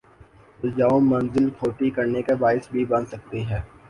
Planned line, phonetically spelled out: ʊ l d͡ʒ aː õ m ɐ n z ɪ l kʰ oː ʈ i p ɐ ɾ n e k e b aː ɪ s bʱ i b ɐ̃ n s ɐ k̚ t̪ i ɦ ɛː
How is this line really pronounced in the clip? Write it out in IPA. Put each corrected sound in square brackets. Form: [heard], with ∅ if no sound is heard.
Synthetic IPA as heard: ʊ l d͡ʒ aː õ m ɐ n z ɪ l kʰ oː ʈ i [k] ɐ ɾ n e k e b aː ɪ s bʱ i b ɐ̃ n s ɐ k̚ t̪ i ɦ ɛː